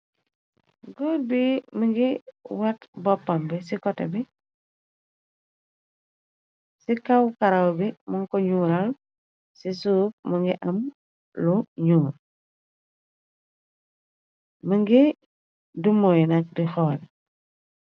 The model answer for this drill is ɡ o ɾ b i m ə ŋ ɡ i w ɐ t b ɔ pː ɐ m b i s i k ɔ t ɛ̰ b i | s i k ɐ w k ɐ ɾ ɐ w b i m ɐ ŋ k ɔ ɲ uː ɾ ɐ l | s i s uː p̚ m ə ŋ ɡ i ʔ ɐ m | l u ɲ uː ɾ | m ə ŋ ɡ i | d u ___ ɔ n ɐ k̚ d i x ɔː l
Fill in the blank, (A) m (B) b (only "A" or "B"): A